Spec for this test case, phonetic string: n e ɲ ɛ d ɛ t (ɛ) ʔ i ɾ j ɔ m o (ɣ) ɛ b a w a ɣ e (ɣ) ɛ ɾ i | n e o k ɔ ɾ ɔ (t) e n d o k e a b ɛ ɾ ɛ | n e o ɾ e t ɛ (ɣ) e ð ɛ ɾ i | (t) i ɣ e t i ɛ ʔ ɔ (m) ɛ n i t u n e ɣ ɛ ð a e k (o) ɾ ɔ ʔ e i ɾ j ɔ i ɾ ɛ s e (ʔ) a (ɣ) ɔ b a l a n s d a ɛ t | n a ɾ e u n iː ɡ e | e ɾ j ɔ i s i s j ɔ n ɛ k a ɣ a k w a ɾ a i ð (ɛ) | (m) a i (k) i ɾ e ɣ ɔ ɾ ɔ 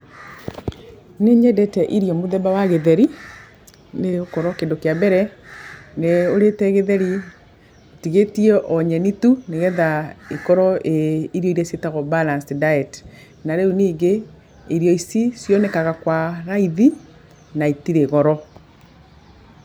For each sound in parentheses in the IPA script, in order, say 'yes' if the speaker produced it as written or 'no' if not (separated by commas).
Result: yes, no, no, no, yes, yes, no, no, no, yes, no, no, no